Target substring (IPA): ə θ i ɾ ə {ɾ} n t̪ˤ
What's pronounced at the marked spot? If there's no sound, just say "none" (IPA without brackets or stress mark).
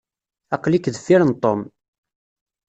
none